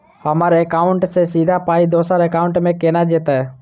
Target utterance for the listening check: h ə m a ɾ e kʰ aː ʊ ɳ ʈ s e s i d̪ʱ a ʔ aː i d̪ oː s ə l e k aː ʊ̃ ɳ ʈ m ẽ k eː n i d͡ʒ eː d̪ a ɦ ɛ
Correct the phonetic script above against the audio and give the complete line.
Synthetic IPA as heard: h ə m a ɾ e k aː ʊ ɳ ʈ s e s i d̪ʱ a p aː i d̪ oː s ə ɾ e k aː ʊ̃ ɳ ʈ m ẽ k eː n a d͡ʒ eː t̪ a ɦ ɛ